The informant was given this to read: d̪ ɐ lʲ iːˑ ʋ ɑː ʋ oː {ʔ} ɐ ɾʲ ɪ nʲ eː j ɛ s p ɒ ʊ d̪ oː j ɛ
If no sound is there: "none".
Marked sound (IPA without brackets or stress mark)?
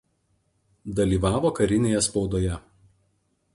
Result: k